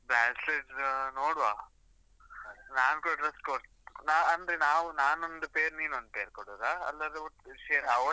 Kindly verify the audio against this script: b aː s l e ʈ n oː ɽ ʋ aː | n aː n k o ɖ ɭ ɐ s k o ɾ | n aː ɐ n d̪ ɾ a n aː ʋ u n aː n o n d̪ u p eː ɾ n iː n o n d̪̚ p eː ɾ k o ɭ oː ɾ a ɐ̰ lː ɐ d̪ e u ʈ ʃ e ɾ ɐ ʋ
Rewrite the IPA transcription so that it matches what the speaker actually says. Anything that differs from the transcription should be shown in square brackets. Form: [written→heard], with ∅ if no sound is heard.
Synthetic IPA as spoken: b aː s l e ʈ n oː ɽ ʋ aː | n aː n k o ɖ [ɭ→ɾ] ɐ s k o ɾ | n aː ɐ n d̪ ɾ [a→e] n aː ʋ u n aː n o n d̪ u p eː ɾ n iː n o n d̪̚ p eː ɾ k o [ɭ→ɽ] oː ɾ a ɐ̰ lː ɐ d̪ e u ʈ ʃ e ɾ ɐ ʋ